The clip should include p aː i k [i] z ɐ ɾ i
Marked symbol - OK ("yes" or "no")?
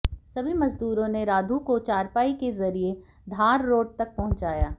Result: no